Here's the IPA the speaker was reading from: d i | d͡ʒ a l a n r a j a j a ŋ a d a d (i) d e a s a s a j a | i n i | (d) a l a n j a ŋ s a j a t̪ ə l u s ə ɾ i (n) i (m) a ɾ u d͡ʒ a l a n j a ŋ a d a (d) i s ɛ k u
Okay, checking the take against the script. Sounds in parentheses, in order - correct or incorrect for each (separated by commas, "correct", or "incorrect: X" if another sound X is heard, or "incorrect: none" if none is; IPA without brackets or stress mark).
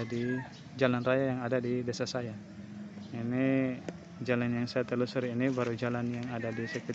correct, incorrect: d͡ʒ, correct, incorrect: b, correct